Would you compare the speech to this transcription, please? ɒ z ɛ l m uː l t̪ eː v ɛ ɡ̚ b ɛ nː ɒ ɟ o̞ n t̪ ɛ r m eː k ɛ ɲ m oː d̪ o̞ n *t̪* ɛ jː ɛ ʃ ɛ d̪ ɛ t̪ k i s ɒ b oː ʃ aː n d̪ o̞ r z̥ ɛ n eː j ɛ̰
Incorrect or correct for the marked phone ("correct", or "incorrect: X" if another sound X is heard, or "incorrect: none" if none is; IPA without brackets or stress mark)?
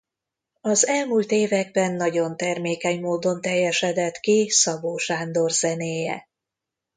correct